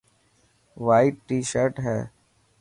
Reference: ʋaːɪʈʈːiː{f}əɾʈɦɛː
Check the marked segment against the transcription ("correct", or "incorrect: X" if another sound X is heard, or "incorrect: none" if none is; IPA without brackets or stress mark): incorrect: ʃ